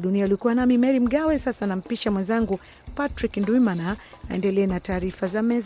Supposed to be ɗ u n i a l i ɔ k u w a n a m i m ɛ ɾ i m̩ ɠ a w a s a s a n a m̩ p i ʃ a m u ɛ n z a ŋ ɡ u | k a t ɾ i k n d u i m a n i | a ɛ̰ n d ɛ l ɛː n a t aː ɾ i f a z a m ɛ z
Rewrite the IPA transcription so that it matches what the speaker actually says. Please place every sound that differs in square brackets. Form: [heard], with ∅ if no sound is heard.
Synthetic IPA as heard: ɗ u n i a l i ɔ k u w a n a m i m ɛ ɾ i m̩ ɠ a w [ɛ] s a s a n a m̩ p i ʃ a m [w] ɛ n z a ŋ ɡ u | [p] a t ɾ i k n d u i m a n [a] | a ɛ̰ n d ɛ l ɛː n a t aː ɾ i f a z a m ɛ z